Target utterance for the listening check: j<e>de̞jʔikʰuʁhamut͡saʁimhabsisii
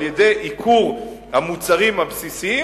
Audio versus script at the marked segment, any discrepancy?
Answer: no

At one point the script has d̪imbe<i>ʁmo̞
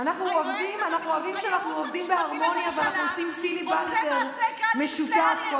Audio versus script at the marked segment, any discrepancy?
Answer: yes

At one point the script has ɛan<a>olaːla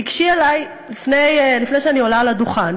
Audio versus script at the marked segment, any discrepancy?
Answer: yes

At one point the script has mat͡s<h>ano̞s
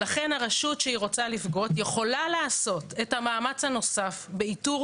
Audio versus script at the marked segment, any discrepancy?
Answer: no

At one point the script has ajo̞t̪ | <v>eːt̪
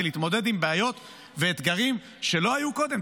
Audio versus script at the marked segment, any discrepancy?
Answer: no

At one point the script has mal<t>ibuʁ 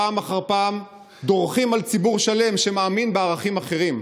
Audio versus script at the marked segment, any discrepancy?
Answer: yes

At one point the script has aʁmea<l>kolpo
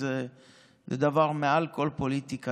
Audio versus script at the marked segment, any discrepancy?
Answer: no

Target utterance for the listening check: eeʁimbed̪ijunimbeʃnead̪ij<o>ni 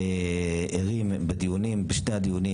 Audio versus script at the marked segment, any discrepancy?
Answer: yes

